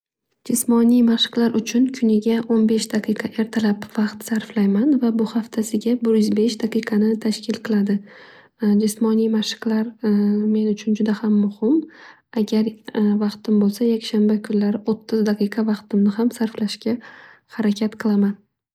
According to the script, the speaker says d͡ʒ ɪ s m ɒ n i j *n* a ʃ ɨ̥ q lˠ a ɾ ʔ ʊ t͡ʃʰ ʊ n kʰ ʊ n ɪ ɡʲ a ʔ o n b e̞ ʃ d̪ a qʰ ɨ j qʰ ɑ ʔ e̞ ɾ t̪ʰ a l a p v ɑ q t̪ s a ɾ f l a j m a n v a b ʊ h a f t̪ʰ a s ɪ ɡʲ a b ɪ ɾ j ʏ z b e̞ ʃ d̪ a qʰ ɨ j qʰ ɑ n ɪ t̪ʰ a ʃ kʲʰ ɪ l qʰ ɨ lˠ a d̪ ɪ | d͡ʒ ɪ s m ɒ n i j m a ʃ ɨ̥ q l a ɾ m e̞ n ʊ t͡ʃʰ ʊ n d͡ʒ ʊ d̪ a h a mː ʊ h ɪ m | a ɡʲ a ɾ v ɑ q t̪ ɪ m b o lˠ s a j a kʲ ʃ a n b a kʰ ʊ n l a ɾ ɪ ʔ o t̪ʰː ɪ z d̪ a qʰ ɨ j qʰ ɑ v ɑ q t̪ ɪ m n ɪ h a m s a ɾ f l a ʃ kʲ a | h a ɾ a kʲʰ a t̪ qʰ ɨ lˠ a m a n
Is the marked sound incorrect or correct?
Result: incorrect